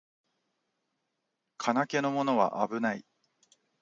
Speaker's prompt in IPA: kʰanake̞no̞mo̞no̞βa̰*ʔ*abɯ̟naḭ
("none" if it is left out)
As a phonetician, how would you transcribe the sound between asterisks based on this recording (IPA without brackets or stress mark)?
ʔ